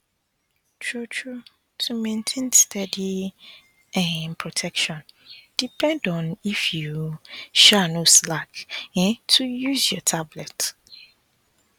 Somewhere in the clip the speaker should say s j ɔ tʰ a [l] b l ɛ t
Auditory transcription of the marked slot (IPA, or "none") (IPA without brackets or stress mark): none